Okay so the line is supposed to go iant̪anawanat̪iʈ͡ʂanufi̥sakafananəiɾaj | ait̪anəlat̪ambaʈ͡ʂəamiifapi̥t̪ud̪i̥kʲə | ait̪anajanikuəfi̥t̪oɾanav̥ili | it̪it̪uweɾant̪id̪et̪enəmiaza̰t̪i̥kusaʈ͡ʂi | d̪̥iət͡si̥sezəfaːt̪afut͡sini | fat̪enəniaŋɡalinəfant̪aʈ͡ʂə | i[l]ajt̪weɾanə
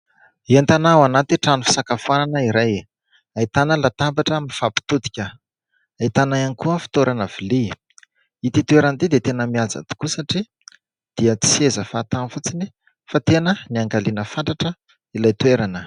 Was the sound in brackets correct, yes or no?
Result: yes